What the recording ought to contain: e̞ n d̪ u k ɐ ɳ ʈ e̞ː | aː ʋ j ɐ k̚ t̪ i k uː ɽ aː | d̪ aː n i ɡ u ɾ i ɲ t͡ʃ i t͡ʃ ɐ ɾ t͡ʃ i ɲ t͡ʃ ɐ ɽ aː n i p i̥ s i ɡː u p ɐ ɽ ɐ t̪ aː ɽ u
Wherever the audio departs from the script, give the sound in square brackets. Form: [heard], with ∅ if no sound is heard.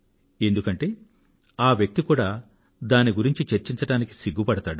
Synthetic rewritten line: e̞ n d̪ u k ɐ ɳ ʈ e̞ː | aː ʋ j ɐ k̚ t̪ i k uː ɽ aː | d̪ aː n i ɡ u ɾ i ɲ t͡ʃ i t͡ʃ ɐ ɾ t͡ʃ i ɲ t͡ʃ ɐ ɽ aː n i [k] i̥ s i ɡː u p ɐ ɽ ɐ t̪ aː ɽ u

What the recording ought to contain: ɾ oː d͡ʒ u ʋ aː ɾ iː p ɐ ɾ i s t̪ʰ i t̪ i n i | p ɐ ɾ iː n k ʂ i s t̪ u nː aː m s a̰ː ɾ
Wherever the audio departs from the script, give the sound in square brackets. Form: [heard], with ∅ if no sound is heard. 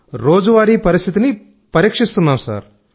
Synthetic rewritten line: ɾ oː d͡ʒ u ʋ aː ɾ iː p ɐ ɾ i s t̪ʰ i t̪ i n i | p ɐ ɾ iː [∅] k ʂ i s t̪ u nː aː m s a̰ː ɾ

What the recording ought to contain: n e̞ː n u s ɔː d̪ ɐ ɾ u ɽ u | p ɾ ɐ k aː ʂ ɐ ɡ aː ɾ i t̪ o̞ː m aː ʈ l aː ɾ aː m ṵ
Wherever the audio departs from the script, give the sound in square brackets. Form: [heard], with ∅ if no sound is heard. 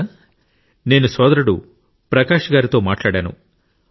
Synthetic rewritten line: n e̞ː n u s ɔː d̪ ɐ ɾ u ɽ u | p ɾ ɐ k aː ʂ ɐ ɡ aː ɾ i t̪ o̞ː m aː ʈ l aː [ɽ] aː [n] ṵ

